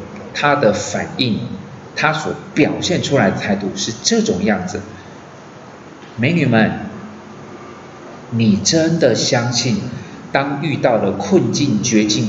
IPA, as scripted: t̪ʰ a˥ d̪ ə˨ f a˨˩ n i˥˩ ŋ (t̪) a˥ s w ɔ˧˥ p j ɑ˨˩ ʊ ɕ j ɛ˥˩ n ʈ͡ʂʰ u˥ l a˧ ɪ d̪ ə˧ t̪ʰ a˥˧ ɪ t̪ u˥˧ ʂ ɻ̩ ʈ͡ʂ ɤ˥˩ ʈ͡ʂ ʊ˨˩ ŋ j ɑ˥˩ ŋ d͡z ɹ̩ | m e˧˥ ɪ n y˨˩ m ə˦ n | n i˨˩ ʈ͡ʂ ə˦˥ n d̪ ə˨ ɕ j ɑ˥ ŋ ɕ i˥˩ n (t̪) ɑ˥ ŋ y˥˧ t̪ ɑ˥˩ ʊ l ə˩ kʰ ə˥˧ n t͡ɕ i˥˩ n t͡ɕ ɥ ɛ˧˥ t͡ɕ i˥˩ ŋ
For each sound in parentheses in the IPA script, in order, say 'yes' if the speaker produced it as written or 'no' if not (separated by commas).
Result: no, yes